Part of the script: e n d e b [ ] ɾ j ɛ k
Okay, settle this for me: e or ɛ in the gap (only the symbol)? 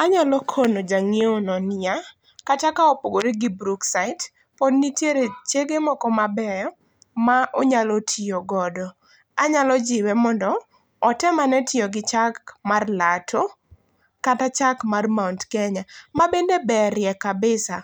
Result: ɛ